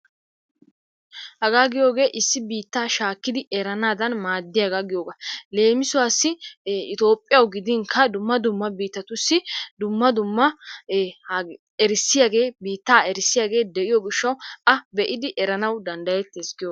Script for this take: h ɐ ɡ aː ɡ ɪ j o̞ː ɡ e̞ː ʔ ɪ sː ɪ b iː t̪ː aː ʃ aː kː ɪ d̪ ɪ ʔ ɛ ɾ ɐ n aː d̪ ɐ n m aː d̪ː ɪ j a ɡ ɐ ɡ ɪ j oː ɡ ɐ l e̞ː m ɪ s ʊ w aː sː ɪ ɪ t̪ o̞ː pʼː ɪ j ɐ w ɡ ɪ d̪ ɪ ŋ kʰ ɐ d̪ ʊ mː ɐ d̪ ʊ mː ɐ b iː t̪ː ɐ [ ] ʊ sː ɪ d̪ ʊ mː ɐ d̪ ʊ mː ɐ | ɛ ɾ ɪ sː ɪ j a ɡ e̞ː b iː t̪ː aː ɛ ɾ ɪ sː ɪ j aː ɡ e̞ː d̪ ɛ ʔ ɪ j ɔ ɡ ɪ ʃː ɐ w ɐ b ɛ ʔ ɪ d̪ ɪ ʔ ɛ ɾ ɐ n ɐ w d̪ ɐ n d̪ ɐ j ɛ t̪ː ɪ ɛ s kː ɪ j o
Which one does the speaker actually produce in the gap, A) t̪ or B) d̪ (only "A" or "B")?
A